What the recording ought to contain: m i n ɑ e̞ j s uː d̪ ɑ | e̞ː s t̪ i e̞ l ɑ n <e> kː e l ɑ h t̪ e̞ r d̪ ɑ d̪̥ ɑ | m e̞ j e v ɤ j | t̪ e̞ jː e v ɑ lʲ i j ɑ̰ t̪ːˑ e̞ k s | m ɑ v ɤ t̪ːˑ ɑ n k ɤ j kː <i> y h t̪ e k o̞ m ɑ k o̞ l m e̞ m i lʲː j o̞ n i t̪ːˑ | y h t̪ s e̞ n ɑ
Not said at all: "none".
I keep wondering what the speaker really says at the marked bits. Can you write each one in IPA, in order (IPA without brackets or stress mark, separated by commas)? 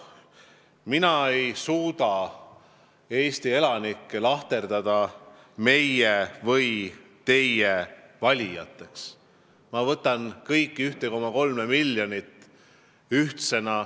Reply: i, i